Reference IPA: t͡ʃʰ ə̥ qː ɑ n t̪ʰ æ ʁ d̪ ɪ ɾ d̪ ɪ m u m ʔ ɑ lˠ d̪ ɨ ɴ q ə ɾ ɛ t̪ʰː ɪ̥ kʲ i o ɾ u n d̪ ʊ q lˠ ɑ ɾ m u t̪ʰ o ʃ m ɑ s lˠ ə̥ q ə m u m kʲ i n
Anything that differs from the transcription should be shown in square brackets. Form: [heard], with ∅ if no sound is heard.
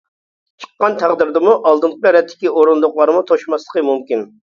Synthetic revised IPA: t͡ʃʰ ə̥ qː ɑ n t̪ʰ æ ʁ d̪ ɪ ɾ d̪ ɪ m u [∅] ʔ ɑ lˠ d̪ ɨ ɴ q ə ɾ ɛ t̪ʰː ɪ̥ kʲ i o ɾ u n d̪ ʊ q lˠ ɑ ɾ m u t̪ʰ o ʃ m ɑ s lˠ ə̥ q ə m u m kʲ i n